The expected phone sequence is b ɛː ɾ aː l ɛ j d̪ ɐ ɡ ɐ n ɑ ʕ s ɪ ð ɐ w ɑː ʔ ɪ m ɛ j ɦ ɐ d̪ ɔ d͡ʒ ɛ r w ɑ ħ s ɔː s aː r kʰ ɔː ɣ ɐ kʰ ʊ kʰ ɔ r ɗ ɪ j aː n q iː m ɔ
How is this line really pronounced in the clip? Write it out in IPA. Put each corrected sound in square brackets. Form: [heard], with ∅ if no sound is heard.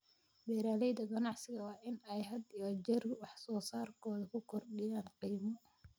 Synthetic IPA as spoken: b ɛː ɾ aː l ɛ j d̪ ɐ ɡ ɐ n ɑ ʕ s ɪ [ɣ] ɐ w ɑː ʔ ɪ [n] ɛ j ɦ ɐ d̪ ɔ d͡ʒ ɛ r w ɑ ħ s ɔː s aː r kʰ ɔː [ð] ɐ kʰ ʊ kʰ ɔ r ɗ ɪ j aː n q iː m ɔ